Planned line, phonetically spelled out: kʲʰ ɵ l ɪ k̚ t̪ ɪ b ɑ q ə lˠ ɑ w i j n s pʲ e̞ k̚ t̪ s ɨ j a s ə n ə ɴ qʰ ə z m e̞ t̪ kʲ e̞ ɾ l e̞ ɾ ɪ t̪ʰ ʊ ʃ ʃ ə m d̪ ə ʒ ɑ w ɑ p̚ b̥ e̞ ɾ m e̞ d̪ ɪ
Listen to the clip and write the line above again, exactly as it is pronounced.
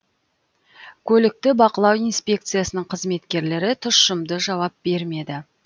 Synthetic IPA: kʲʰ ɵ l ɪ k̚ t̪ ɪ b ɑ q ə lˠ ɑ w i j n s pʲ e̞ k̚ t̪ s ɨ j a s ə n ə ɴ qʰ ə z m e̞ t̪ kʲ e̞ ɾ l e̞ ɾ ɪ t̪ʰ ʊ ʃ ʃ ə m d̪ ə ʒ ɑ w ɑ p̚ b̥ e̞ ɾ m e̞ d̪ ɪ